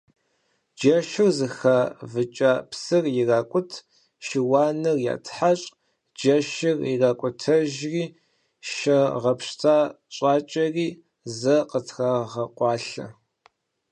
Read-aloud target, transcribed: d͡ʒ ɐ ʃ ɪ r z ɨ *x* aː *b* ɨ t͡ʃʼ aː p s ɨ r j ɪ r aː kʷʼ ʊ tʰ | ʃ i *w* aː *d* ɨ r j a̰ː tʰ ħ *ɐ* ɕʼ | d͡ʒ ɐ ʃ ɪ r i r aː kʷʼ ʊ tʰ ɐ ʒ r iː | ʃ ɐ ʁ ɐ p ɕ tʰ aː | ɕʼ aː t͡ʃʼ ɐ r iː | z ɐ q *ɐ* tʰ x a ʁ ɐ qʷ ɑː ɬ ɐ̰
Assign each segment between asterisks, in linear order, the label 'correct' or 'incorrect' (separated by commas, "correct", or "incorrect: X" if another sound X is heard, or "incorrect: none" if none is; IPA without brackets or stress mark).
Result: correct, incorrect: v, correct, incorrect: n, incorrect: a, incorrect: ə